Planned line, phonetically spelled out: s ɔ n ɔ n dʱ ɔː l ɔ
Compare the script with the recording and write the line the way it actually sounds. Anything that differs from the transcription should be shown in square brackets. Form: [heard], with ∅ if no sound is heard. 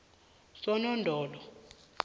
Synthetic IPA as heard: s ɔ n ɔ n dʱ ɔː l ɔ